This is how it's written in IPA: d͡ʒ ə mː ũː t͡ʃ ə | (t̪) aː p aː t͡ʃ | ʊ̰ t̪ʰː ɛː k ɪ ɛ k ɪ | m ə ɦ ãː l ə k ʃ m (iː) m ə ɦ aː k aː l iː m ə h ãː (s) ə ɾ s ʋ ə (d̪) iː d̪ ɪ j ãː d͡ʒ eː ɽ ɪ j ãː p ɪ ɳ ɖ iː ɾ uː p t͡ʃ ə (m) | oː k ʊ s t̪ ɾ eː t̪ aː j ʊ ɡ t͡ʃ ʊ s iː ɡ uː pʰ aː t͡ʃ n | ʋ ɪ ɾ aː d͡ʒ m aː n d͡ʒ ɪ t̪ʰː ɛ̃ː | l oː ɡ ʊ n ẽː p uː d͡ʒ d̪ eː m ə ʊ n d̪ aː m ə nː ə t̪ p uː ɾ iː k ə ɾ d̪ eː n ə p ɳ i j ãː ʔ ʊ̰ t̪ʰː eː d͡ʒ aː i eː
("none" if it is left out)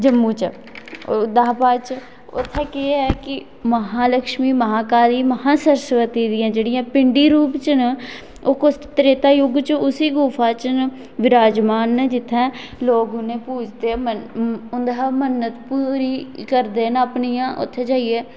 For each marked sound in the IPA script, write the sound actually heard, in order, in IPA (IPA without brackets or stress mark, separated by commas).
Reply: d̪, iː, s, t̪, n